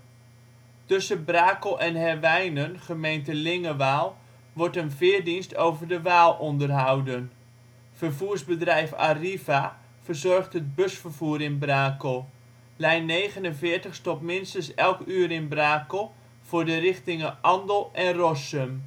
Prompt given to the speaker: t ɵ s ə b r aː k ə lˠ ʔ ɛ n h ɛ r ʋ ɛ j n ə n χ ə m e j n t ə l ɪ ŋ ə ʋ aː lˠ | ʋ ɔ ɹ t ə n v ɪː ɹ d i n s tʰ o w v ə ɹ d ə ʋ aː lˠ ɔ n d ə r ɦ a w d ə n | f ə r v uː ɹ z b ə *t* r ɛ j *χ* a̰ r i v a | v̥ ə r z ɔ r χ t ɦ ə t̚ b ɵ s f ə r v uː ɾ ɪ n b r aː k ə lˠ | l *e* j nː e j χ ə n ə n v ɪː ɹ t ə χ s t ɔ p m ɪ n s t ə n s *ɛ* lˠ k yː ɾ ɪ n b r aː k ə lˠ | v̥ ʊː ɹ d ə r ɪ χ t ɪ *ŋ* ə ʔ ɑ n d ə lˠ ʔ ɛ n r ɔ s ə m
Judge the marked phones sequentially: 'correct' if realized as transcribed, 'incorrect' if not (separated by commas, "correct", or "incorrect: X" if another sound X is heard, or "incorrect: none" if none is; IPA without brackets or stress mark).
incorrect: d, incorrect: f, incorrect: ɛ, correct, correct